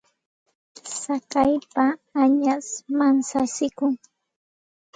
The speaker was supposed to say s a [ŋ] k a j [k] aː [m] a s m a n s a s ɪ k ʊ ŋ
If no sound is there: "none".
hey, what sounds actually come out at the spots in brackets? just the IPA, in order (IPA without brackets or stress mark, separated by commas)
none, p, ɲ